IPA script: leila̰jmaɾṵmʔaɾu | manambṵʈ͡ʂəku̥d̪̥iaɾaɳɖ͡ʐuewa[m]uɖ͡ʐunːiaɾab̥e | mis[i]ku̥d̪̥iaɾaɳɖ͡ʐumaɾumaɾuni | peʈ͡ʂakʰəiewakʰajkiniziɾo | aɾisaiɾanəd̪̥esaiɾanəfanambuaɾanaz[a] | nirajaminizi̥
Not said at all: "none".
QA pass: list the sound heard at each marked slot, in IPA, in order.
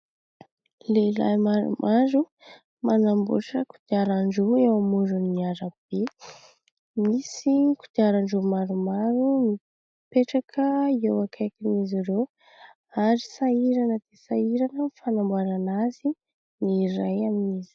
m, i, i

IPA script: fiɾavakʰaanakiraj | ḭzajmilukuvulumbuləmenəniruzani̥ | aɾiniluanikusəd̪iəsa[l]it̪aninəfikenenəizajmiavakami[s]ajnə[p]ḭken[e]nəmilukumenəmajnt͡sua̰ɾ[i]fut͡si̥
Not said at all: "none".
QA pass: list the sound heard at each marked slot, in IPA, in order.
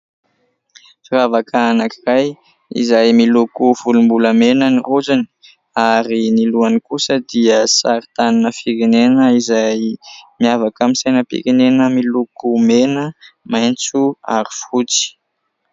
ɾ, s, p, e, i

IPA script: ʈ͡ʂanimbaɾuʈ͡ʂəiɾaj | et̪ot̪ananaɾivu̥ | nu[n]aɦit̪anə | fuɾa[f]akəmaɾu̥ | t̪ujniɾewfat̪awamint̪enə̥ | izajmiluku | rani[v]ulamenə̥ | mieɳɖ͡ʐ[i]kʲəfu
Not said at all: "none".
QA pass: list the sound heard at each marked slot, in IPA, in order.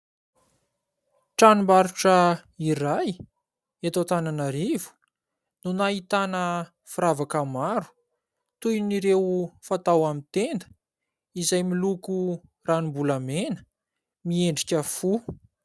n, v, b, i

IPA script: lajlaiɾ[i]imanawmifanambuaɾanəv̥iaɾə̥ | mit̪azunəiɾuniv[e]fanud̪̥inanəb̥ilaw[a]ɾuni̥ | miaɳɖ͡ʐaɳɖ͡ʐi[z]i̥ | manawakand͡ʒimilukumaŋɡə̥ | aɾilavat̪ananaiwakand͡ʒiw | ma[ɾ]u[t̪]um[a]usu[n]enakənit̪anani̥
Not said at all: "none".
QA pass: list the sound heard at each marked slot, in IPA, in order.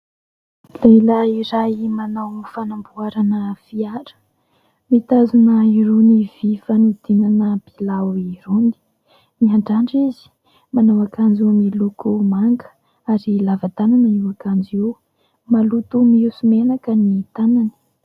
a, i, i, z, l, t̪, i, m

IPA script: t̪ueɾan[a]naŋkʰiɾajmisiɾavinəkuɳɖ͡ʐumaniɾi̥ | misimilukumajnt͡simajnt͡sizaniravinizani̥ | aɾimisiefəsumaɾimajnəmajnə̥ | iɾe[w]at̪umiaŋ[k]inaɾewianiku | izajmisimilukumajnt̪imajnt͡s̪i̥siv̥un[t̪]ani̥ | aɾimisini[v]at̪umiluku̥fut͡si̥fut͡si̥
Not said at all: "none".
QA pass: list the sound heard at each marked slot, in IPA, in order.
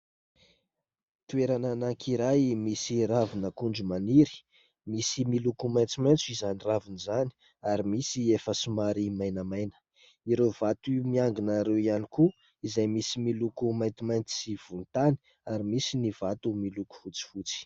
a, v, ɡ, t̪, v

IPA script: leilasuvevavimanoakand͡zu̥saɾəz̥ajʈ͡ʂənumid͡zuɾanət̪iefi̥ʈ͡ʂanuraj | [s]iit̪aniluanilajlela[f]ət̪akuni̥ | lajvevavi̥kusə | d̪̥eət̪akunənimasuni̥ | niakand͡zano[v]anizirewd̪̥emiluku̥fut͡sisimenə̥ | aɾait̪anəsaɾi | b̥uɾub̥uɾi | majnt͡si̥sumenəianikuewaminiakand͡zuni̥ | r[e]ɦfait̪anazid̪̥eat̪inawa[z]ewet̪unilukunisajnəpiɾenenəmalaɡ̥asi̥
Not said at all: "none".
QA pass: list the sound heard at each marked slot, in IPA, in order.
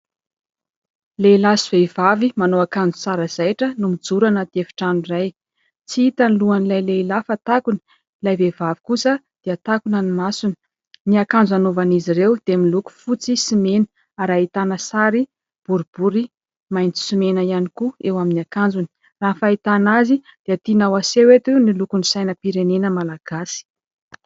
t͡s, f, v, a, s

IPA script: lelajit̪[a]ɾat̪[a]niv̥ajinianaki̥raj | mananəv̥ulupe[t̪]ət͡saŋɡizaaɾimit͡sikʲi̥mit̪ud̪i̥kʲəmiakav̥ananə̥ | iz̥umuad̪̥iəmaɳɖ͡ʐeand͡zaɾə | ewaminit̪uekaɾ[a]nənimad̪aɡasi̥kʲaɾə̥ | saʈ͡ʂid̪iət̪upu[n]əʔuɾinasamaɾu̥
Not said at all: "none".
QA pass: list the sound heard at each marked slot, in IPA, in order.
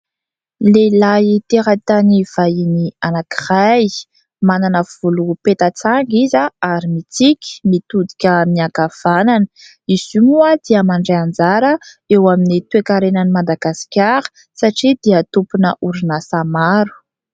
e, a, t̪, e, n

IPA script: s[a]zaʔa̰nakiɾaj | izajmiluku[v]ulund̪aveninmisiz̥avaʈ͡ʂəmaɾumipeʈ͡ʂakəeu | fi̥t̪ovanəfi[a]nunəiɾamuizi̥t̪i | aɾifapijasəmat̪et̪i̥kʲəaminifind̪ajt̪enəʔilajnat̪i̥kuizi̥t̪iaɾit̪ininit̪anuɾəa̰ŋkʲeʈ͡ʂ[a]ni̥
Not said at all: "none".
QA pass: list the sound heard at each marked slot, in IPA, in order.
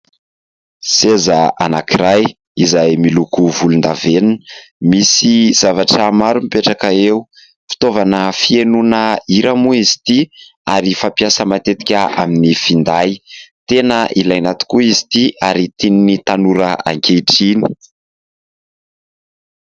e, v, e, i

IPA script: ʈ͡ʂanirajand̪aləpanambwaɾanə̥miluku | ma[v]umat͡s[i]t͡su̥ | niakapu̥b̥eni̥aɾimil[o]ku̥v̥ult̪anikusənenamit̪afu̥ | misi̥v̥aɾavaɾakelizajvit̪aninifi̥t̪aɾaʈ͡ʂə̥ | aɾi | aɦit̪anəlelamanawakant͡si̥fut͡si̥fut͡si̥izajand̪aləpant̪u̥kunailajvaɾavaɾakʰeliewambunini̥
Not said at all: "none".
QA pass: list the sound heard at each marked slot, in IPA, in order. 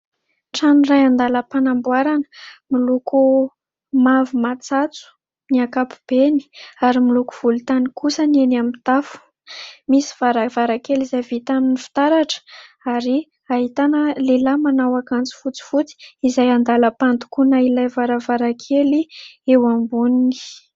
v, a, u

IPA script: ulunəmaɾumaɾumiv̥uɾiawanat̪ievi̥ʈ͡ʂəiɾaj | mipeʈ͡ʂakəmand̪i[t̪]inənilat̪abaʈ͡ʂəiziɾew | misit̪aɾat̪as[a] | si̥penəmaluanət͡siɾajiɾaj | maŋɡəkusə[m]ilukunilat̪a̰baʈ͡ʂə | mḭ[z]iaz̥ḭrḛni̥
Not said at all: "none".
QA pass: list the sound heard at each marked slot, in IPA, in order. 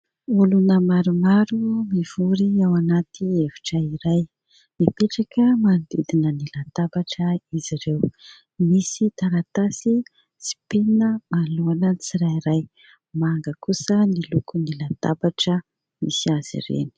d̪, i, n, s

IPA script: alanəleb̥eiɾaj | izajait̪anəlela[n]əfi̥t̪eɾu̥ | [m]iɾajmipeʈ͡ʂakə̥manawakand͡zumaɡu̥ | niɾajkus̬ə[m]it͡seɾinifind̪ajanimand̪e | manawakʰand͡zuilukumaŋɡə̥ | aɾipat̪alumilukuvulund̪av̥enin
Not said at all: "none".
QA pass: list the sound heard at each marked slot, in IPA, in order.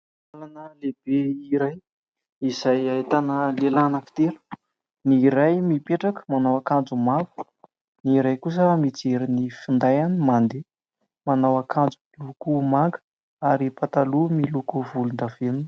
n, n, m

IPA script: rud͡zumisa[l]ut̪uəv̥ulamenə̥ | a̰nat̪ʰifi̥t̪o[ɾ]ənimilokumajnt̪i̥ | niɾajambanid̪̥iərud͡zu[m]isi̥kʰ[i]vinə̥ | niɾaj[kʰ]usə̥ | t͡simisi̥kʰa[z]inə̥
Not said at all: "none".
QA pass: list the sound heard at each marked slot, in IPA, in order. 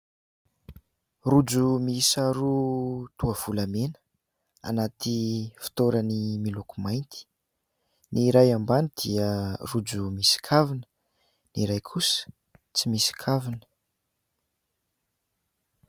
ɾ, ɾ, m, a, kʰ, v

